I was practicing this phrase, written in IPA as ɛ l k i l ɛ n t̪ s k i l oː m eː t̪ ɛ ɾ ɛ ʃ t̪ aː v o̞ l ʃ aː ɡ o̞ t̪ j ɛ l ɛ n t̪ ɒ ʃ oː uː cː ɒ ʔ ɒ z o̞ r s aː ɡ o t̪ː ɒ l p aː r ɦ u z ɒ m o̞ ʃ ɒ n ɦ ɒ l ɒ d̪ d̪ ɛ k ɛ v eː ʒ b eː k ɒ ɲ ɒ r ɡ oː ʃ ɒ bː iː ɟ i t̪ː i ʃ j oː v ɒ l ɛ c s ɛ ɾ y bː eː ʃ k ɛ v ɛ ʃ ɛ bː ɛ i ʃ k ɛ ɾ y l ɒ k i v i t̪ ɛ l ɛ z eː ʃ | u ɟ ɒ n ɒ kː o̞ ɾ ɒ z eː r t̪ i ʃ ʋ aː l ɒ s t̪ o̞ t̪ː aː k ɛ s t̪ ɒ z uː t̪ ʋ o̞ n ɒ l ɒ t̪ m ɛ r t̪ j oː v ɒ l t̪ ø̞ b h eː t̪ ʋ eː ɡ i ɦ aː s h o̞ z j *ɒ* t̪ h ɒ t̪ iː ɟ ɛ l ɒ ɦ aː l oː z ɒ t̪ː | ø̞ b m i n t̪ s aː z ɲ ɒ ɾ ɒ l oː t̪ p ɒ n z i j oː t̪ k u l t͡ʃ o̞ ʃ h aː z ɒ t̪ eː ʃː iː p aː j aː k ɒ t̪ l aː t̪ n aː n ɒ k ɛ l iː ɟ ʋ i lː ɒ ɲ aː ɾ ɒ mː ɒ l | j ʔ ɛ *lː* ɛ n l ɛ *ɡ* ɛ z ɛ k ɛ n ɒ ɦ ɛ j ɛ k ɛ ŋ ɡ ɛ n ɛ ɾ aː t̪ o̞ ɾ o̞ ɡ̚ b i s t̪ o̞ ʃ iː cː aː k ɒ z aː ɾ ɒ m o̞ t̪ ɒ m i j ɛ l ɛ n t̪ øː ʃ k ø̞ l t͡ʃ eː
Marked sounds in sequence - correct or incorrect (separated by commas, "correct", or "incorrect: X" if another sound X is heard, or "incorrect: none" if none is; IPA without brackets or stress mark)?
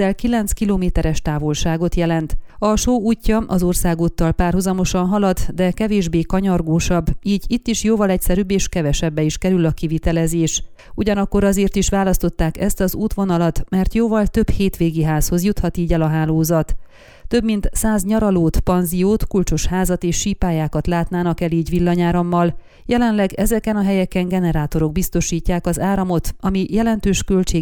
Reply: incorrect: u, incorrect: l, correct